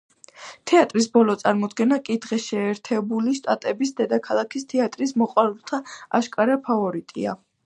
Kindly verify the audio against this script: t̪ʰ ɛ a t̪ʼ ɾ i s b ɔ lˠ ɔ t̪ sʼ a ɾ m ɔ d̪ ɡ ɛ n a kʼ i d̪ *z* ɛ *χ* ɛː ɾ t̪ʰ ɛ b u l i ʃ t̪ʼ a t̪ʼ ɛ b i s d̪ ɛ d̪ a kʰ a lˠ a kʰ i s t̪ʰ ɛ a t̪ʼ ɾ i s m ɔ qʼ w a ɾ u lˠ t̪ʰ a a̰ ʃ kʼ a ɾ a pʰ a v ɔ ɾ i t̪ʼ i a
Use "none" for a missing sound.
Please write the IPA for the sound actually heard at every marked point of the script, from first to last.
ʁ, ʃ

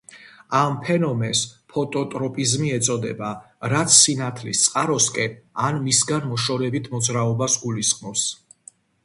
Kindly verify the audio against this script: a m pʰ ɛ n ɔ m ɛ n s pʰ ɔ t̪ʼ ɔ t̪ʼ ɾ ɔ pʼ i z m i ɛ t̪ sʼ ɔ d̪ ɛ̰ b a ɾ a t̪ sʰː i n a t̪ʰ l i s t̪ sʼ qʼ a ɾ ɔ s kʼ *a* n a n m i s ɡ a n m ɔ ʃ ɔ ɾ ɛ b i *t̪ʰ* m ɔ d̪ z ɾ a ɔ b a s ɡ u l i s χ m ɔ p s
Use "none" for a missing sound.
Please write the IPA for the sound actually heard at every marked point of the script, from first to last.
ɛ, t̪ʰ

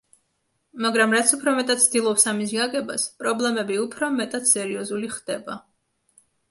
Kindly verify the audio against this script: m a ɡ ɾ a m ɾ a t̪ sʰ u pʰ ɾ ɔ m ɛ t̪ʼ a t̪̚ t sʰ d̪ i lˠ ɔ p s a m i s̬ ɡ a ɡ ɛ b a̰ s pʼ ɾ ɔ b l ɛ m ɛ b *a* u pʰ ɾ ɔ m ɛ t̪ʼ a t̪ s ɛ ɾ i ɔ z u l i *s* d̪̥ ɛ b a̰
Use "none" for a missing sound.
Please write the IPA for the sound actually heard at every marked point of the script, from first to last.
i, χ

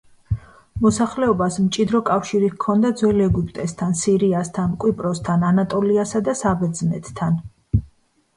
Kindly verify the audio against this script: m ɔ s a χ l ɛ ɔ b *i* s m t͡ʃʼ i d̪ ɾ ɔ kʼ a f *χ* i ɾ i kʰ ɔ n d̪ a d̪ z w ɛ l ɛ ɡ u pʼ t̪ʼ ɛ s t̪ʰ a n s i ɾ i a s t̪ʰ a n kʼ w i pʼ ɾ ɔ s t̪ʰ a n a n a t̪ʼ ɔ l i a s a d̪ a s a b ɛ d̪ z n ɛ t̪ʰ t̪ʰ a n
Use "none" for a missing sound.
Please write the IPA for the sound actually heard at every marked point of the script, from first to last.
a, ʃ

